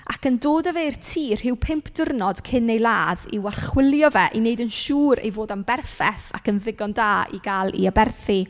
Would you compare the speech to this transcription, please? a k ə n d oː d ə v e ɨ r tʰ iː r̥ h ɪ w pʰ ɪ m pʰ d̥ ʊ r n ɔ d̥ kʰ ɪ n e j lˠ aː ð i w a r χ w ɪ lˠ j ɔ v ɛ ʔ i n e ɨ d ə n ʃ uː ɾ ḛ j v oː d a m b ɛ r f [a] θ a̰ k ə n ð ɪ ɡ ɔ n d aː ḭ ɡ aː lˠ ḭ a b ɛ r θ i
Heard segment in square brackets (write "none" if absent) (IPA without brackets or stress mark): ɛ